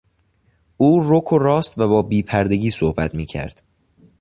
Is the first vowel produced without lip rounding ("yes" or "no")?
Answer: no